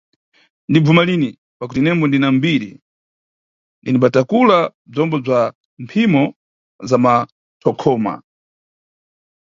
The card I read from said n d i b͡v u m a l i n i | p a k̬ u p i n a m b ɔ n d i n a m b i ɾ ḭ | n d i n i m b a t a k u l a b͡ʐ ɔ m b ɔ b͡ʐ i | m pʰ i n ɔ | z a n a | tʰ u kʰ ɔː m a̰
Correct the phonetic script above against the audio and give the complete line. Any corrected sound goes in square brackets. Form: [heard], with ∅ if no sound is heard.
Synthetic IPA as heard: n d i b͡v u m a l i n i | p a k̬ u [t] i n [ɛ] m b ɔ n d i n a m b i ɾ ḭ | n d i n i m b a t a k u l a b͡ʐ ɔ m b ɔ b͡ʐ [a] | m pʰ i [m] ɔ | z a [m] a | tʰ [ɔ] kʰ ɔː m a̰